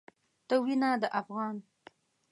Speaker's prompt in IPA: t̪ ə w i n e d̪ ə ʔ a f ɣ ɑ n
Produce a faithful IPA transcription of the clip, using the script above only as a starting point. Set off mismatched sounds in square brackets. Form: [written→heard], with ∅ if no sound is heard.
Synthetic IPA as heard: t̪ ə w i n [e→a] d̪ ə ʔ a f ɣ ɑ n

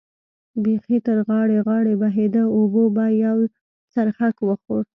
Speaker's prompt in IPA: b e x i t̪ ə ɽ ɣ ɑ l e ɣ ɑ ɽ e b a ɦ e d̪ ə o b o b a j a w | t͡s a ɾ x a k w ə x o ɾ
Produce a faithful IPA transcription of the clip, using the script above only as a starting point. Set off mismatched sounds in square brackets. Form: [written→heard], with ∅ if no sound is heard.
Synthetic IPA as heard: b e x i t̪ ə [ɽ→ɾ] ɣ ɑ [l→ɽ] e ɣ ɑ ɽ e b a ɦ e d̪ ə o b o b a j a w | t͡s a ɾ x a k w ə x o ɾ

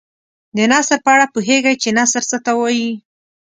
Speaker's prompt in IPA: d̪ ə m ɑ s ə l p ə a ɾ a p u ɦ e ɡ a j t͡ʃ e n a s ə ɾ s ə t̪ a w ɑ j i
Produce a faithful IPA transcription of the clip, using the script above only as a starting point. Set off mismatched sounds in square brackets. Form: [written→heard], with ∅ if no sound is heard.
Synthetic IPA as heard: d̪ ə [m→n] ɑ s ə [l→ɾ] p ə a [ɾ→ɽ] a p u ɦ e ɡ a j t͡ʃ e n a s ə ɾ s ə t̪ a w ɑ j i

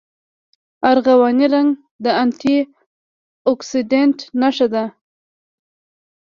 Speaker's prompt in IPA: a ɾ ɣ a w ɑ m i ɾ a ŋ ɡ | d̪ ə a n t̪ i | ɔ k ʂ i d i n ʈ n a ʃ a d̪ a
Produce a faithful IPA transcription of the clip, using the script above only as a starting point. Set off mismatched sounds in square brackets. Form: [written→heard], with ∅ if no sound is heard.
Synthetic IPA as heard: a ɾ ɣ a w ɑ [m→n] i ɾ a ŋ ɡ | d̪ ə a n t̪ i | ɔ k [ʂ→s] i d [i→e] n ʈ n a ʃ a d̪ a

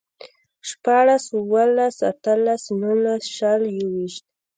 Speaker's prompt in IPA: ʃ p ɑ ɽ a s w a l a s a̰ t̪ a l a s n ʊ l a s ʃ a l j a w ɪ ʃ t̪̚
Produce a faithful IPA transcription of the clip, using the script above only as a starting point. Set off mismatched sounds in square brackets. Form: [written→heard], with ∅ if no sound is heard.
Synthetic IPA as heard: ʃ p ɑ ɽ a s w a l a s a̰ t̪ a l a s n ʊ l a s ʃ a l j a w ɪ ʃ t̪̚

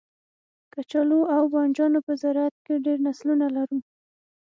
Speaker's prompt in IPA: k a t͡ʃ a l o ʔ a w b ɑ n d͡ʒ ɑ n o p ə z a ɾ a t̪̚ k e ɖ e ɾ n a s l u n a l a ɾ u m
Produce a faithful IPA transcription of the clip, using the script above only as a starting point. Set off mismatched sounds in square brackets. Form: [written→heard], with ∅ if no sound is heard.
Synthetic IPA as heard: k a t͡ʃ a l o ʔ a w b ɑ n d͡ʒ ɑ n o p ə z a ɾ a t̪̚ k e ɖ e ɾ n a s l u n a l a ɾ u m

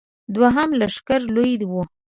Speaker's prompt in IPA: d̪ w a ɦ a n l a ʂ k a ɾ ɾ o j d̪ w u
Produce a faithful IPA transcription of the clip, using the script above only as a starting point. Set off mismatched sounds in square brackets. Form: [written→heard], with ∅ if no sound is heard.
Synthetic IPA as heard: d̪ w a ɦ a [n→m] l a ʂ k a ɾ [ɾ→l] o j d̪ w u

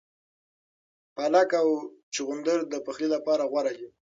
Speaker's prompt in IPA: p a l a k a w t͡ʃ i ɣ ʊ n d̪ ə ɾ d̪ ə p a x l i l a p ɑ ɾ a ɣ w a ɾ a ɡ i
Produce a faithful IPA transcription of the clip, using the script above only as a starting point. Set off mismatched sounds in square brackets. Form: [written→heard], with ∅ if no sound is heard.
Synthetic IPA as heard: p a l a k a w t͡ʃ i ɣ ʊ n d̪ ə ɾ d̪ ə p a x l i l a p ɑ ɾ a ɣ w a ɾ a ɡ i

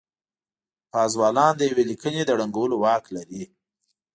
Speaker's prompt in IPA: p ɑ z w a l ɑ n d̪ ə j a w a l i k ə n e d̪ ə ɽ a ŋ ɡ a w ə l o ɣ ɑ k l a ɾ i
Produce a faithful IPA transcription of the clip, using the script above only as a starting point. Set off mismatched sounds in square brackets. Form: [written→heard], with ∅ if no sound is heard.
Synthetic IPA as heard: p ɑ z w [a→ɑ] l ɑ n d̪ ə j a w [a→e] l i k ə n e d̪ ə ɽ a ŋ ɡ a w ə l o [ɣ→w] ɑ k l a ɾ i

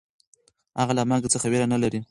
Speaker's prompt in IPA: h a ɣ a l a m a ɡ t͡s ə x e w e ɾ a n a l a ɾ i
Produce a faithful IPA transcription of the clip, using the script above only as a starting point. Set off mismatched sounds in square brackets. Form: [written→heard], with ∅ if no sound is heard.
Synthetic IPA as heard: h a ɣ a l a m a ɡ t͡s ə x [e→a] w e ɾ a n a l a ɾ i

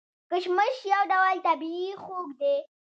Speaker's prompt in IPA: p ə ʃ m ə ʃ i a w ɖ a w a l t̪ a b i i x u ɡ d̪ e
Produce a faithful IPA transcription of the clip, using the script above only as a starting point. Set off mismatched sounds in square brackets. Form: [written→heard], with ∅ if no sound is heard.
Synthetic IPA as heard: [p→k] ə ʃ m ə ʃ [i→j] a w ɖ a w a l t̪ a b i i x [u→o] ɡ d̪ e

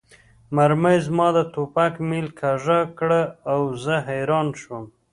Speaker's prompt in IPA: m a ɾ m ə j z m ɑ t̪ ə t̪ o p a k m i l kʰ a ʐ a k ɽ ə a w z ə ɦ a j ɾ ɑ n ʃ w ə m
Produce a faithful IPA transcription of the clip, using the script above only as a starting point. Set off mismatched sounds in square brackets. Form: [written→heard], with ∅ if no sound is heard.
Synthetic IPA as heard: m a ɾ m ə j z m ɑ [t̪→d̪] ə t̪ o p a k m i l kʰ a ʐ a k ɽ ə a w z ə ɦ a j ɾ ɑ n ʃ w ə m

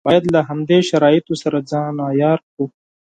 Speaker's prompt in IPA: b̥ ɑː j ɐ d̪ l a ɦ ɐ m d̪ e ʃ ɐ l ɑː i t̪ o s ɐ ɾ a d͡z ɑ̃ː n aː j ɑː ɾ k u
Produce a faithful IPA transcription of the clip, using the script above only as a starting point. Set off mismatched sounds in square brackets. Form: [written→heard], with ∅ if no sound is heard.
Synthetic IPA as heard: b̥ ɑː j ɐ d̪ l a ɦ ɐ m d̪ e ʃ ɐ [l→ɾ] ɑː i t̪ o s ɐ ɾ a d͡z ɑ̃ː n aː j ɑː ɾ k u

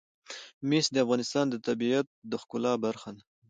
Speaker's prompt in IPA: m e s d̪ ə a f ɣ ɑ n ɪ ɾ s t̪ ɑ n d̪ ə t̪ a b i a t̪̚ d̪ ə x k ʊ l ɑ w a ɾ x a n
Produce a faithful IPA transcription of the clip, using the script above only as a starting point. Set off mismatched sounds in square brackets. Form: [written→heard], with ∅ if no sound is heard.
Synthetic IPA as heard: m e s d̪ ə a f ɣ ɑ n ɪ [ɾ→∅] s t̪ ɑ n d̪ ə t̪ a b i a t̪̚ d̪ ə x k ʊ l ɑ [w→b] a ɾ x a n

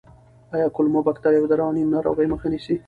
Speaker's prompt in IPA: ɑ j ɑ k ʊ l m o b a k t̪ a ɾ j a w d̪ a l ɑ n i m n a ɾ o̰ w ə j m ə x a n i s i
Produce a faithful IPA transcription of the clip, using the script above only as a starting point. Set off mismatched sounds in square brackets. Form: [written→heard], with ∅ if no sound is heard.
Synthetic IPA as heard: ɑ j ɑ k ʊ l m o b a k t̪ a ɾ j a w d̪ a [l→ɾ] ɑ n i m n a ɾ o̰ [w→ɣ] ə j m ə x a n i s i

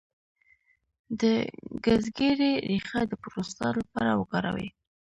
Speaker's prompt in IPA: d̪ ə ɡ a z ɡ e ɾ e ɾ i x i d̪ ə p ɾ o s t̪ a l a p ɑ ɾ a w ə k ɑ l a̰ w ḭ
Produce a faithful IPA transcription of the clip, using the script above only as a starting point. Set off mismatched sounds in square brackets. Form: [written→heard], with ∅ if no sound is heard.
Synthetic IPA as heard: d̪ ə ɡ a z ɡ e ɾ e ɾ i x [i→a] d̪ ə p ɾ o s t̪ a l a p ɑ ɾ a w ə k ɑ [l→ɾ] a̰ w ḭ

